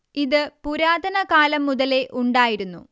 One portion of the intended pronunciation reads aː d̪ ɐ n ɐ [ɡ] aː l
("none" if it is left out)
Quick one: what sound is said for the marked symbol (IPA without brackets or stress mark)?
k